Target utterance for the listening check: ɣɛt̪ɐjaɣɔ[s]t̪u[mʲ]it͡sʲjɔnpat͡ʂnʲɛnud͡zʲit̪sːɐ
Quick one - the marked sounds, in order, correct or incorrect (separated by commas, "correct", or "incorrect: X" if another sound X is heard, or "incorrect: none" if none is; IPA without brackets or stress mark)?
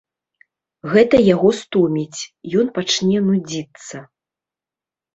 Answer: correct, correct